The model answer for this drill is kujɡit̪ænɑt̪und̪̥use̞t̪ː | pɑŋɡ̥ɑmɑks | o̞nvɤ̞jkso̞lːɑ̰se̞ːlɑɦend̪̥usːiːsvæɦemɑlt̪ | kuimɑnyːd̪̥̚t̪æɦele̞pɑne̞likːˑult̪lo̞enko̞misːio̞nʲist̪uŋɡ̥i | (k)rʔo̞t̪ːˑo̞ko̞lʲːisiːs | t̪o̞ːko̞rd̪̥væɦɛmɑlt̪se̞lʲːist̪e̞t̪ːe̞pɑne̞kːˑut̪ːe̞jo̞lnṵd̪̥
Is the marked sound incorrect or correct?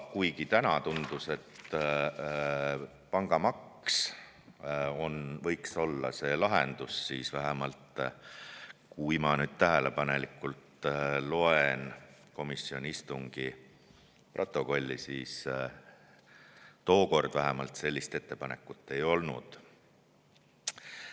incorrect: p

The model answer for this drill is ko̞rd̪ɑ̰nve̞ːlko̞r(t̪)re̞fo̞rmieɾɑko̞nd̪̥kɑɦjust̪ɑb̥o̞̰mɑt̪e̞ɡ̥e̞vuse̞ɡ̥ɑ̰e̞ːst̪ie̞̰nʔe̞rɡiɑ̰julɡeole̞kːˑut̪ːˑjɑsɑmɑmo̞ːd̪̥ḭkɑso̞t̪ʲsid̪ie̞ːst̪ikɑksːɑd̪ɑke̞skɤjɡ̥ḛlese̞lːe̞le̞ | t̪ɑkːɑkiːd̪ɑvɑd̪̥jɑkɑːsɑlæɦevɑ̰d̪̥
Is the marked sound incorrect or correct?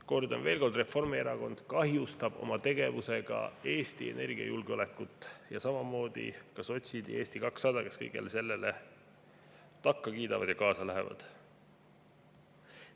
incorrect: d̪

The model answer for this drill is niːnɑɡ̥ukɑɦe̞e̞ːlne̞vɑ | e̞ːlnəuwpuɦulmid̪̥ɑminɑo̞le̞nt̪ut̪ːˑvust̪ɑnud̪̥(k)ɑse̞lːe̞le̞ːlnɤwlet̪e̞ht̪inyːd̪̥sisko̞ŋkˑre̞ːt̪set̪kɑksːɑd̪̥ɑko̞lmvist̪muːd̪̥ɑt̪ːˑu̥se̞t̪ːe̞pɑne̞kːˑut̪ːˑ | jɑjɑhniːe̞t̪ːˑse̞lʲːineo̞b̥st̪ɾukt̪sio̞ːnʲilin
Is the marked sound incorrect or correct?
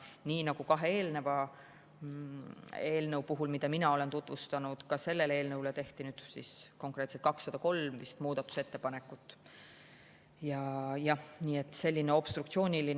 correct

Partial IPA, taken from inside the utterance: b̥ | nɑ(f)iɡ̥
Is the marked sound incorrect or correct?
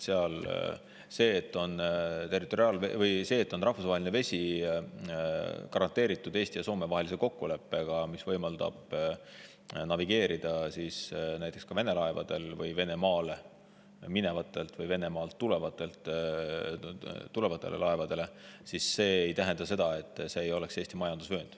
incorrect: v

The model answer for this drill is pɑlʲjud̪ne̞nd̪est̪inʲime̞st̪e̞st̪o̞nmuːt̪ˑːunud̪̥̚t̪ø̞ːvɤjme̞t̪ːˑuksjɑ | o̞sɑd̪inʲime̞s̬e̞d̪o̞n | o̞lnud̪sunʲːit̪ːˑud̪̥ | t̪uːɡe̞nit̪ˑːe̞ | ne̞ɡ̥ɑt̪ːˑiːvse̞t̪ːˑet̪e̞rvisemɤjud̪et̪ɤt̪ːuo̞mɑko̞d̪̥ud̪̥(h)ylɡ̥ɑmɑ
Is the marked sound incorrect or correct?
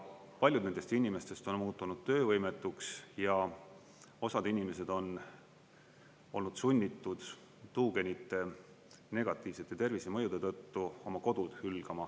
correct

